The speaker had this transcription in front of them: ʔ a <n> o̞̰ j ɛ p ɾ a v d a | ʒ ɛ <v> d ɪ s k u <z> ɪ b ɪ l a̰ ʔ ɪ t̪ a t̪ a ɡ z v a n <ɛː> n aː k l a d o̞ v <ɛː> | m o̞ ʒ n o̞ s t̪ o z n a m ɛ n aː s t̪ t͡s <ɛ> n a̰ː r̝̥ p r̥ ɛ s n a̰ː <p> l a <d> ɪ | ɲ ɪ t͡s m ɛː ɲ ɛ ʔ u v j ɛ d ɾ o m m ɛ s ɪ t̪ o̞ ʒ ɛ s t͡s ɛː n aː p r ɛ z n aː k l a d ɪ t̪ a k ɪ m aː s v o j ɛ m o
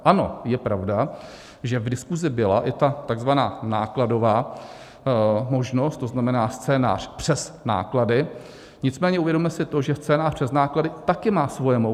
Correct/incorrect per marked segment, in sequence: correct, correct, correct, incorrect, incorrect, incorrect, incorrect, correct

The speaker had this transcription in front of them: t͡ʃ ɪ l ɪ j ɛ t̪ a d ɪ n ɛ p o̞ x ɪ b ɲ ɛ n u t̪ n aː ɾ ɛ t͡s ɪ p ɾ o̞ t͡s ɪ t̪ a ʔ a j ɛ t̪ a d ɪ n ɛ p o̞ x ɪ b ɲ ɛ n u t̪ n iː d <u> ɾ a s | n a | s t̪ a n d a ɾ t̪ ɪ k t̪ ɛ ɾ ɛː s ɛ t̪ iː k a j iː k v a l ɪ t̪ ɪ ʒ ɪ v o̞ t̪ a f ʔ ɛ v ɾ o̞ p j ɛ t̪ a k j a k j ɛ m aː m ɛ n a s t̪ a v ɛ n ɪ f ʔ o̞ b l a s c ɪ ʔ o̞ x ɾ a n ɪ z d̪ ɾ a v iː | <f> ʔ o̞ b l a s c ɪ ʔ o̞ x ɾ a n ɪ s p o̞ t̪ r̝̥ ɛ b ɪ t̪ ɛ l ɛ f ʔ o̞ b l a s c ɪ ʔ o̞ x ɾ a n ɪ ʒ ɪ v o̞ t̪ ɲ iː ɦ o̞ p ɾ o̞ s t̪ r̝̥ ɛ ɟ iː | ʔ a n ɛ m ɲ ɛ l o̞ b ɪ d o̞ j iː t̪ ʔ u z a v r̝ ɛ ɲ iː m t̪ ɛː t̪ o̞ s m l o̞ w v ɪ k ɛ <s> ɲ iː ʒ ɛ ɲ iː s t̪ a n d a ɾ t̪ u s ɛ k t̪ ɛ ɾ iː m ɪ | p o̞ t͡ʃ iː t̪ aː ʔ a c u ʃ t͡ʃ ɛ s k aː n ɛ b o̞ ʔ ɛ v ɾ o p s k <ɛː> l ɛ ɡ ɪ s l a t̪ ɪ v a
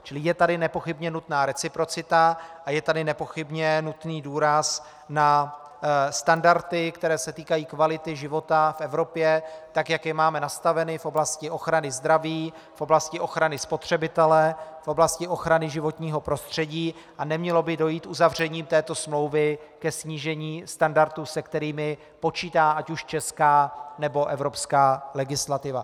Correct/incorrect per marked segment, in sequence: incorrect, correct, correct, incorrect

